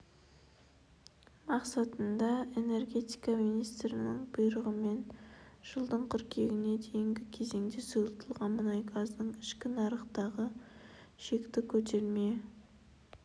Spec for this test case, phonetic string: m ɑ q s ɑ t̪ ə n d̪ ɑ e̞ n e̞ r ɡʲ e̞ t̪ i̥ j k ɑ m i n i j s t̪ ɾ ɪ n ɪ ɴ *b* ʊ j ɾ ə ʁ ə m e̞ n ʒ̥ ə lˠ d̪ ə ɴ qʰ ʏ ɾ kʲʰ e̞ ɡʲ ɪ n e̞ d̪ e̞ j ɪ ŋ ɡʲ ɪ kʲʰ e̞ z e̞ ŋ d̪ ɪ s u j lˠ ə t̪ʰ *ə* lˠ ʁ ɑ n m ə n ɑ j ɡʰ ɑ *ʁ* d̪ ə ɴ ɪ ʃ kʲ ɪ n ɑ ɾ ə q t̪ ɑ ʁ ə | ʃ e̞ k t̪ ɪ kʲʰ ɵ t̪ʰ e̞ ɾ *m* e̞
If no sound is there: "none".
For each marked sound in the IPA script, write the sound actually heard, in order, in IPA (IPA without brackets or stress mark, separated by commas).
b, ə, z, m